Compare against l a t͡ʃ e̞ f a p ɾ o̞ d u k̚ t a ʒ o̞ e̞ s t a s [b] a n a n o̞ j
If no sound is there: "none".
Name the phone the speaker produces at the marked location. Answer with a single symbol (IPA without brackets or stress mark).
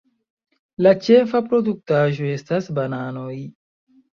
b